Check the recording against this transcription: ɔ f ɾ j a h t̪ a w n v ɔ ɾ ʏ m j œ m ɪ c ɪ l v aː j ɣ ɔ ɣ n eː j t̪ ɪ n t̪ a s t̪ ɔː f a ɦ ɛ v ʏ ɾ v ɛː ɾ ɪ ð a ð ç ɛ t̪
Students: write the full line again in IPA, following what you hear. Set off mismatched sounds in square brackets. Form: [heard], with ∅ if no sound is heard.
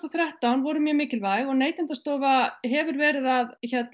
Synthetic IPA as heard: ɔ [θ] ɾ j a h t̪ a w n v ɔ ɾ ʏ m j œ m [ɪː] c ɪ l v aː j ɣ ɔ ɣ n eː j t̪ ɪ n t̪ a s t̪ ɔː [v] a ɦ ɛ v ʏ ɾ v ɛː ɾ ɪ ð a ð ç ɛ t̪